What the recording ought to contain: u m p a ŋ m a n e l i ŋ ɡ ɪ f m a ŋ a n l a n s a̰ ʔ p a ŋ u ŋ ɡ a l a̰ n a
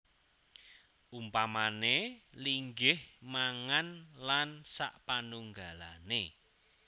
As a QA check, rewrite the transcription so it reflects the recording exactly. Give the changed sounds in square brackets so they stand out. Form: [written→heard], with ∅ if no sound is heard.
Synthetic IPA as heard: u m p a [ŋ→∅] m a n e l i ŋ ɡ ɪ [f→h] m a ŋ a n l a n s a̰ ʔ p a [ŋ→n] u ŋ ɡ a l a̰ n [a→e]